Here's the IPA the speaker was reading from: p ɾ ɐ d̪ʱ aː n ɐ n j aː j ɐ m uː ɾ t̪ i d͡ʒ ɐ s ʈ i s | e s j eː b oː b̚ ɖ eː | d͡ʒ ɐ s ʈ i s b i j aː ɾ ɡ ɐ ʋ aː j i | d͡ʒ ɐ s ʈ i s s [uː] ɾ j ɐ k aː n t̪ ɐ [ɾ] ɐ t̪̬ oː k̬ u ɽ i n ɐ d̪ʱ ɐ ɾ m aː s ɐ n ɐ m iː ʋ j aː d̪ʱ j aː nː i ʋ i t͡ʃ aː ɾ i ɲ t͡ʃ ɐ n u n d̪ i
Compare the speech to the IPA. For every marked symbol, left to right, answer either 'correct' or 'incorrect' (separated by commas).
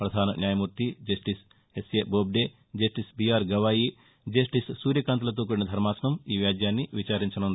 correct, incorrect